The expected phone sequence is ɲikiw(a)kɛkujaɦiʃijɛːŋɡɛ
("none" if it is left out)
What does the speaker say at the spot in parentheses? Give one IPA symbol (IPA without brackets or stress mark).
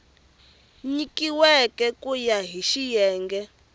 ɛ